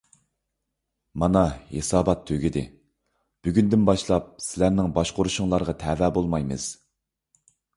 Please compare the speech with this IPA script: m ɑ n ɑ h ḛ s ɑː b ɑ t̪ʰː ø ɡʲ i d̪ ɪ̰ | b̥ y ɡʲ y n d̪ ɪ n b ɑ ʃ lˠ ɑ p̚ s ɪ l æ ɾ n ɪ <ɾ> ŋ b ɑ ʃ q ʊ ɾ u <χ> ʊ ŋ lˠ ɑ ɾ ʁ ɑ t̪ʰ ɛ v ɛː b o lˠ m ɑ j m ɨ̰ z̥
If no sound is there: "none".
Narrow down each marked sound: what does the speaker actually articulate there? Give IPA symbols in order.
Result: none, ʃ

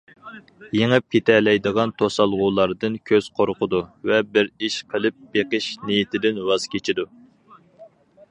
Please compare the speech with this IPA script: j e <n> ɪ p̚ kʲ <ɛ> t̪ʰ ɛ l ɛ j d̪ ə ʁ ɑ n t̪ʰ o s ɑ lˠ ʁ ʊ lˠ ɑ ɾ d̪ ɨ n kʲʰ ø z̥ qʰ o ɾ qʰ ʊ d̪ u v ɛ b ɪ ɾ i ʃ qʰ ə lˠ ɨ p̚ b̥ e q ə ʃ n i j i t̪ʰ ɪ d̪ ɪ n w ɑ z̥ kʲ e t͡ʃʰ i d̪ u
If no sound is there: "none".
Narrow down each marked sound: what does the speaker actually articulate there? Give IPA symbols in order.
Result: ŋ, e

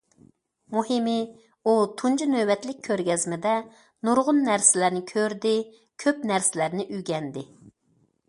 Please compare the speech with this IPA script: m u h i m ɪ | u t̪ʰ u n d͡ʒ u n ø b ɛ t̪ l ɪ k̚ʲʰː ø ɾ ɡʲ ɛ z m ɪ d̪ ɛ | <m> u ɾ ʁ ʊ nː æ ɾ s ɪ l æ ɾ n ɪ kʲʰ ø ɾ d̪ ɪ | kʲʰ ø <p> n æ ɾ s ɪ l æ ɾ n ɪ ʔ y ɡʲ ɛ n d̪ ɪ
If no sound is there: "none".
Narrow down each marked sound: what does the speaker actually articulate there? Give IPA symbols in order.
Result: n, p

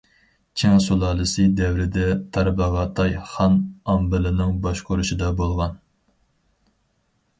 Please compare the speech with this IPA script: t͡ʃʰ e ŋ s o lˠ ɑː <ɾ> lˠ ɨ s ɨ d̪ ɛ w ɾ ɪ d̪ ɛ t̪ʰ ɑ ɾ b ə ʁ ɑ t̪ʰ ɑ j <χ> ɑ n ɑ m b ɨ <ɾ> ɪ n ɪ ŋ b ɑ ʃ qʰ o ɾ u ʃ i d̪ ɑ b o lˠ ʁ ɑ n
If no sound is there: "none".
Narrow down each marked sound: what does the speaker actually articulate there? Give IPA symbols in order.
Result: none, χ, l

